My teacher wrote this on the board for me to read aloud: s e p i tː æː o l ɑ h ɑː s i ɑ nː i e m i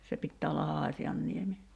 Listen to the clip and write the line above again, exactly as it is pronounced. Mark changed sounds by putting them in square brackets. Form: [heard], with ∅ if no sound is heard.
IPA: s e p i tː æː o [lː] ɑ h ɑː s i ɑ nː i e m i